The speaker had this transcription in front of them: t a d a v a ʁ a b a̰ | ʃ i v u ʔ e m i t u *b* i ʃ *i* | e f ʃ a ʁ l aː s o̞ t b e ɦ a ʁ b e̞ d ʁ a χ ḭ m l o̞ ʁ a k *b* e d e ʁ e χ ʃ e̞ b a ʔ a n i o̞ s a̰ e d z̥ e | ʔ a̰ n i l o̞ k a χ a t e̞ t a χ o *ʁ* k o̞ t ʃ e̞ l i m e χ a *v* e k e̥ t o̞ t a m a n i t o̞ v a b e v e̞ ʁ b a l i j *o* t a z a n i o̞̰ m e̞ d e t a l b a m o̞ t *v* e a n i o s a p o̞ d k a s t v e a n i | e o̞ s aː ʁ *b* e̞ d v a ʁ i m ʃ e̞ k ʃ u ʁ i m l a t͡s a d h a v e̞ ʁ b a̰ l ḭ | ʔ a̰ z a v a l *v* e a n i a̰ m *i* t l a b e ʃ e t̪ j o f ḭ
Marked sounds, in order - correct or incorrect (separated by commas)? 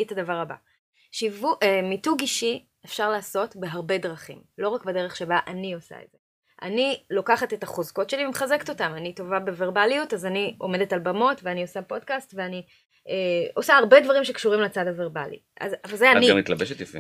incorrect, correct, correct, incorrect, incorrect, incorrect, correct, correct, incorrect, correct